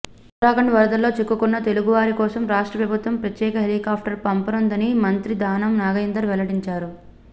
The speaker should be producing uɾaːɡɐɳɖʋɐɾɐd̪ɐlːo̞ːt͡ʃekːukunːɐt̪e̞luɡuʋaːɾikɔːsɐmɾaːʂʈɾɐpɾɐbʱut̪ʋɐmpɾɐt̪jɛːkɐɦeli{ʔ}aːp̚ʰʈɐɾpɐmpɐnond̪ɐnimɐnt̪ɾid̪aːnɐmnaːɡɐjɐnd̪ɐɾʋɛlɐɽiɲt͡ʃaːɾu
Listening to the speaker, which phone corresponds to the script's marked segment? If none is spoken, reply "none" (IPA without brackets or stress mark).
k